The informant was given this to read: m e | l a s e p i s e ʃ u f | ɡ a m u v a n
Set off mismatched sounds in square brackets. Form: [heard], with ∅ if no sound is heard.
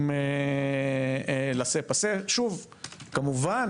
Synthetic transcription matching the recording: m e | l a s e p [a] s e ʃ u [v] | [k] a m u v a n